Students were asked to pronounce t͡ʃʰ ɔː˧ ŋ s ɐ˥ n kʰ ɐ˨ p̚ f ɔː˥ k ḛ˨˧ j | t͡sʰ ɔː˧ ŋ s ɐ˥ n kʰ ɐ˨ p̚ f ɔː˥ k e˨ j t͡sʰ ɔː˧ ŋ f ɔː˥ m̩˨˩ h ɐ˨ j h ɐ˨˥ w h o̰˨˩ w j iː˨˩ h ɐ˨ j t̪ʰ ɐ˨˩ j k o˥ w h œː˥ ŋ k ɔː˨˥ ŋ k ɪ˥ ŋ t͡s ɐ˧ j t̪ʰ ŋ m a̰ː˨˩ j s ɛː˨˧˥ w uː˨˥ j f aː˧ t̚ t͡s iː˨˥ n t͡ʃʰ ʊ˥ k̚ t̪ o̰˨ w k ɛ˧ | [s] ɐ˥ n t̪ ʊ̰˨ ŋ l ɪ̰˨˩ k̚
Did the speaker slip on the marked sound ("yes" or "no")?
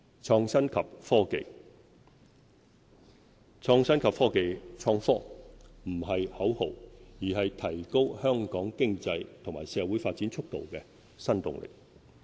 no